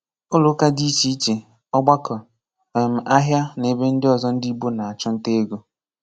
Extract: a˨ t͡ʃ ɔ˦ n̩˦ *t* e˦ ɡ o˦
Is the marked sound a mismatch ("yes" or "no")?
no